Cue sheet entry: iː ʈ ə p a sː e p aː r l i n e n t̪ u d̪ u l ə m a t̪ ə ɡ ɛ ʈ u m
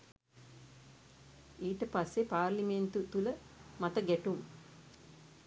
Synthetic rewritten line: iː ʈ ə p a sː e p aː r l i m e n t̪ u t̪ u l ə m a t̪ ə ɡ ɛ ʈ u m

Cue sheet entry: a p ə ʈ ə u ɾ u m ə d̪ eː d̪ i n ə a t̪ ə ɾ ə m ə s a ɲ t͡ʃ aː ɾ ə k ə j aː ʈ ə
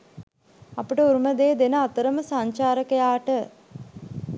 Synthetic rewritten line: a p ə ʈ ə u ɾ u m ə d̪ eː d̪ e n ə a t̪ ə ɾ ə m ə s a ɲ t͡ʃ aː ɾ ə k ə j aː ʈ ə

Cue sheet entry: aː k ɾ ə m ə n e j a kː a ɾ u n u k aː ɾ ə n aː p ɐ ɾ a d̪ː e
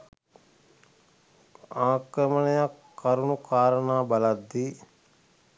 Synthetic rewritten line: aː k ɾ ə m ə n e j a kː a ɾ u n u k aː ɾ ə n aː b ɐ l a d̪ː i

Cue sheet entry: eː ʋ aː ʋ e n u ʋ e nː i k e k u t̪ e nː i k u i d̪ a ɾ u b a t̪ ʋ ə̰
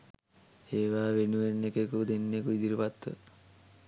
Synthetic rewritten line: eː ʋ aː ʋ e n u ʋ e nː e k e k u d̪ e nː e k u i d̪ i ɾ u p a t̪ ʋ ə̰

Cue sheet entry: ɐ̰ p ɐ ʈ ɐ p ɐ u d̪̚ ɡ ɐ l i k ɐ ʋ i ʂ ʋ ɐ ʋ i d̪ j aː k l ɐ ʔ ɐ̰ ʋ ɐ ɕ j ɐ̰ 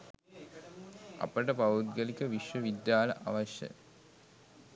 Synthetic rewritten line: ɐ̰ p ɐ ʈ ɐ p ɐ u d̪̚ ɡ ɐ l i k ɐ ʋ i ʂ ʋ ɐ ʋ i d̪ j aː l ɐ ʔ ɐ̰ ʋ ɐ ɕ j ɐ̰

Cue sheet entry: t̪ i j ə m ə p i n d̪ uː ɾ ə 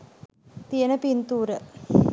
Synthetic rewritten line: t̪ i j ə n ə p i n t̪ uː ɾ ə

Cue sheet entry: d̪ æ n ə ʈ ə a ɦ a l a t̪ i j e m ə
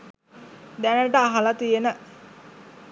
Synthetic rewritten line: d̪ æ n ə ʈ ə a ɦ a l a t̪ i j e n ə

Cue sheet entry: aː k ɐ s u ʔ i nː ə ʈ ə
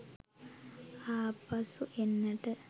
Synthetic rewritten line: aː p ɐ s u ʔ e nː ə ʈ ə

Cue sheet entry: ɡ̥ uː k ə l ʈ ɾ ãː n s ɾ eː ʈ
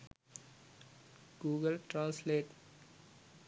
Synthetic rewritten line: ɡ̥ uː ɡ ə l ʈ ɾ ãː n s l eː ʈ

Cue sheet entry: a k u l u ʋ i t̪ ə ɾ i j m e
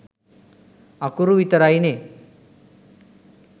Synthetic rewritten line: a k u ɾ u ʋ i t̪ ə ɾ a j n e

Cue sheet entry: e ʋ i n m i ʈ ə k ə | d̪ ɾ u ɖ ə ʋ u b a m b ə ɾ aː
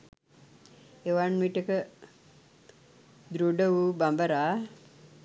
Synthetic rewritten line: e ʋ a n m i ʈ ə k ə | d̪ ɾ u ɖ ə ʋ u b a m b ə ɾ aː

